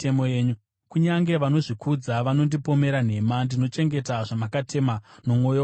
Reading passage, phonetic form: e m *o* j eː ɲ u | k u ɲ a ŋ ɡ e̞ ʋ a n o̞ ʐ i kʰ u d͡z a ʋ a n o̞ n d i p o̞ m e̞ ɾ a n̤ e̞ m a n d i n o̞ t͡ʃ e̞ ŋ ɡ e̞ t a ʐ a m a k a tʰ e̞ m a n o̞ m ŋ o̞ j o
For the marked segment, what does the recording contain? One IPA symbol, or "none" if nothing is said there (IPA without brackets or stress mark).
o